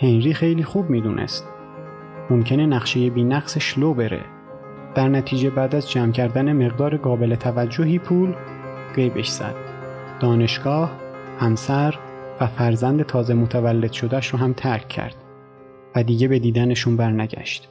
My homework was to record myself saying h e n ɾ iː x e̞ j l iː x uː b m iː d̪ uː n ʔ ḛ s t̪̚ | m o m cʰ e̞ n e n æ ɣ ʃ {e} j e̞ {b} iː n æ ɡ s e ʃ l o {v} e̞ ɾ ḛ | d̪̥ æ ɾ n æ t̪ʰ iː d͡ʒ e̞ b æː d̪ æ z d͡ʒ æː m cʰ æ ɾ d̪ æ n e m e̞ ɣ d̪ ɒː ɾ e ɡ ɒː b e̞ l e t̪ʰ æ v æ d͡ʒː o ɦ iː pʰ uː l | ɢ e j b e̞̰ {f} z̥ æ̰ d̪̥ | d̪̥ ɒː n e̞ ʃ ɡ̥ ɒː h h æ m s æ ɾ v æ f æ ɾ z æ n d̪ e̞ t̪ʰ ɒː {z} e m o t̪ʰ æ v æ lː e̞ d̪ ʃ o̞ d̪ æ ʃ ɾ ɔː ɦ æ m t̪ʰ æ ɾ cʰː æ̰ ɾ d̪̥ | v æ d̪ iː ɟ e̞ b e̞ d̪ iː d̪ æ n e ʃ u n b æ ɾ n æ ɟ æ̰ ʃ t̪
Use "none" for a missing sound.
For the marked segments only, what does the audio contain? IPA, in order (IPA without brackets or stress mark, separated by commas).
e, b, b, ʃ, z